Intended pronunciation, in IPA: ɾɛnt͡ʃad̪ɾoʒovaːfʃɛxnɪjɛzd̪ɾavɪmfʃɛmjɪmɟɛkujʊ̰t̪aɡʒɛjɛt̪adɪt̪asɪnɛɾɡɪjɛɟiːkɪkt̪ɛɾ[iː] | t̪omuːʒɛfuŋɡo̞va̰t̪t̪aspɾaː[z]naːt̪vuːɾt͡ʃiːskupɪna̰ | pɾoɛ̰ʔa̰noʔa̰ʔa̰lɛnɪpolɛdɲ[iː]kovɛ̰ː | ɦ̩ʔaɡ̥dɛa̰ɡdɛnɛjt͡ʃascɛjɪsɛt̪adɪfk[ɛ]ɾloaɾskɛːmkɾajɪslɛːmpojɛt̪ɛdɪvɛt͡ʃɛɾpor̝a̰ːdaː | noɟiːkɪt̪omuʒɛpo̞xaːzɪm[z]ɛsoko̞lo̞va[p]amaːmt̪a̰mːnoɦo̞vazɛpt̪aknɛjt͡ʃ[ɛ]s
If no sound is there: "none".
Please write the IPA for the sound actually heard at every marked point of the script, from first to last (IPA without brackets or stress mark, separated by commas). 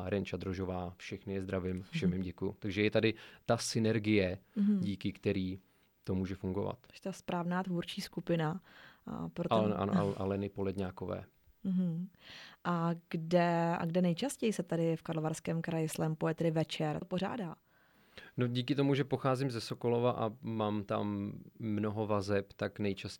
iː, v, aː, a, z, ʔ, a